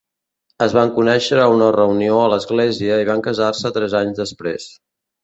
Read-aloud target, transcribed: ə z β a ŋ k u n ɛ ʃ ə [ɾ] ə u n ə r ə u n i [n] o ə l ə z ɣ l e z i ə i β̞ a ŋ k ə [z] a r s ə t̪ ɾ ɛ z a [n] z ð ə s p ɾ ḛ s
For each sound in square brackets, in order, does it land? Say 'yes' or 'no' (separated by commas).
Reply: yes, no, yes, no